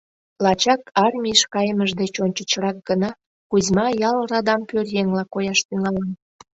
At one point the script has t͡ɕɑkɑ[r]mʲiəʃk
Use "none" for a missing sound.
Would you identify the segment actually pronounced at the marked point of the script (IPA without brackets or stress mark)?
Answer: r